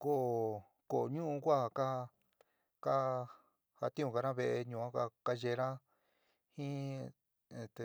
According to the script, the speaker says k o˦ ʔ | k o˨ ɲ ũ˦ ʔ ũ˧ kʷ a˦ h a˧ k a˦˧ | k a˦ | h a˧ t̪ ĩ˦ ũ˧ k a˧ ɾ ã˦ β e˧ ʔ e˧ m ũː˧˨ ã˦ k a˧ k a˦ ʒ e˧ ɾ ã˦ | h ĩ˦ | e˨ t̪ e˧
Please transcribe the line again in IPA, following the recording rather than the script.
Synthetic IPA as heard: k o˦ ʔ | k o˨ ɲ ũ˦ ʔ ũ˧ kʷ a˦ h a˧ k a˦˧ | k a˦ | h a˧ t̪ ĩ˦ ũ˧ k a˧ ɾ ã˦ β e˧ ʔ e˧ ɲ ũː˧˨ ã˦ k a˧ k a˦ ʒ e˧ ɾ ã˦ | h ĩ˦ | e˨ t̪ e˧